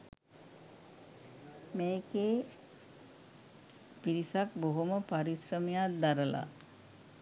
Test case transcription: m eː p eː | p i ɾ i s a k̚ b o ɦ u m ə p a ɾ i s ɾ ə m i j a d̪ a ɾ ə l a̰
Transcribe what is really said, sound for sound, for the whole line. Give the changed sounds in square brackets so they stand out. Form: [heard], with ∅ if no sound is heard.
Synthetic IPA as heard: m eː [k] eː | p i ɾ i s a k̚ b o ɦ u m ə p a ɾ i s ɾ ə m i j a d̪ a ɾ ə l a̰